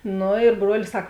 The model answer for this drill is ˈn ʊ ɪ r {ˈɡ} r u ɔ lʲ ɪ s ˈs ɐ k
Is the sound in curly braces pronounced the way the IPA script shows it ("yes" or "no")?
no